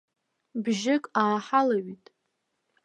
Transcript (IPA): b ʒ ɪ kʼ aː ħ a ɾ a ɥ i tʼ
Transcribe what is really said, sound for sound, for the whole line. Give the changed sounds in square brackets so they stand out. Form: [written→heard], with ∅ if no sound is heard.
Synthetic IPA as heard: b ʒ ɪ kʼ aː ħ a [ɾ→l] a ɥ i tʼ